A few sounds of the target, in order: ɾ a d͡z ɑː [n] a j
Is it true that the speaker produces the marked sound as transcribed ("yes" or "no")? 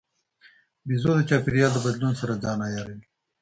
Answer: yes